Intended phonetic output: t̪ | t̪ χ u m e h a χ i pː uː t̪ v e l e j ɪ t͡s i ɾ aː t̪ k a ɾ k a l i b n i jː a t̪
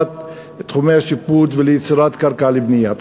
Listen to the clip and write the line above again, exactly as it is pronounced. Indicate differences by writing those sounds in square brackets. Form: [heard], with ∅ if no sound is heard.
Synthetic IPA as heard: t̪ | t̪ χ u m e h a [ʃ] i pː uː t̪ v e l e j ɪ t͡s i ɾ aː t̪ k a ɾ k a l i b n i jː a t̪